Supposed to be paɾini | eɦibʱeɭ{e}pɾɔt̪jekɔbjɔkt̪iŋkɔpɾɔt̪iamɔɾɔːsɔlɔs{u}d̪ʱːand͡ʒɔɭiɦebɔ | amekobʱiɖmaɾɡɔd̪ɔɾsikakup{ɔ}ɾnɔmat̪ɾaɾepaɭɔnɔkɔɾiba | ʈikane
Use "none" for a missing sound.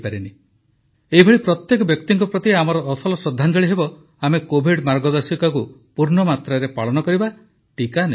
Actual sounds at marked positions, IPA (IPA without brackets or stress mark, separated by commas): i, ɔ, u